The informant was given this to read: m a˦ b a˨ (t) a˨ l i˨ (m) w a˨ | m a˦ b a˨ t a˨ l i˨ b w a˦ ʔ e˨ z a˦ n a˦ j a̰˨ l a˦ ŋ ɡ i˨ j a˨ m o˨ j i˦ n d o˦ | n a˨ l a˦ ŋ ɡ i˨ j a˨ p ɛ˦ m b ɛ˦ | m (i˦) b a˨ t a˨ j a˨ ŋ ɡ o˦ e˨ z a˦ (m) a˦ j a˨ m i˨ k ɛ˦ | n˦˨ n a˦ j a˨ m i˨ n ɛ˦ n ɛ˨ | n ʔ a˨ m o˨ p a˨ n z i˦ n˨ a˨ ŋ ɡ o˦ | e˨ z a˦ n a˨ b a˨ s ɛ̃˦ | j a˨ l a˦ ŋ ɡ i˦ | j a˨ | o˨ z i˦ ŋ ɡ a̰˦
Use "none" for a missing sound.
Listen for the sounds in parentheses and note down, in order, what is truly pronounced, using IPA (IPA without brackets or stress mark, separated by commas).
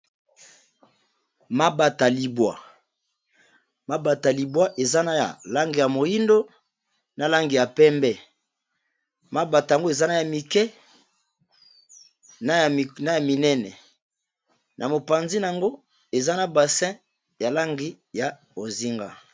t, b, a˦, n